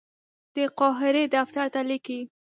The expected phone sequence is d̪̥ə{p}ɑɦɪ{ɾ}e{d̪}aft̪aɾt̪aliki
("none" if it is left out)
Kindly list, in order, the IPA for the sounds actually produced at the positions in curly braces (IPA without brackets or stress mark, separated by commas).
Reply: q, ɾ, d̪